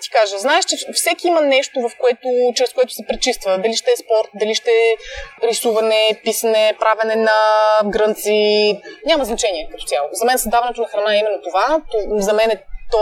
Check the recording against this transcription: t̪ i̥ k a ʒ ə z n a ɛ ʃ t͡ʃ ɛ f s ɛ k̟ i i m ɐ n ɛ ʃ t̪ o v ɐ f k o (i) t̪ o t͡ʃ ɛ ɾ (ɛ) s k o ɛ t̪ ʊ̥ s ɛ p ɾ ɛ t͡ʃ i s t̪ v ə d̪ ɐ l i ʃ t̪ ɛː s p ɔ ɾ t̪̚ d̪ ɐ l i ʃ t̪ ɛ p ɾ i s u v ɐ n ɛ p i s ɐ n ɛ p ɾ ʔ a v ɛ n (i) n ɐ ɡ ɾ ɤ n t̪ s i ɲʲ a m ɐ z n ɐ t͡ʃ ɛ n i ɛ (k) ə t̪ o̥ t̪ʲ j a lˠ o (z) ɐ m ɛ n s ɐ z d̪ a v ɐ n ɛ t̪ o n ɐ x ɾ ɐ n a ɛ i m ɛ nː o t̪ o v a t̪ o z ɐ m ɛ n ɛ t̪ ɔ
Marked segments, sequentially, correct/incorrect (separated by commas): incorrect, correct, incorrect, correct, correct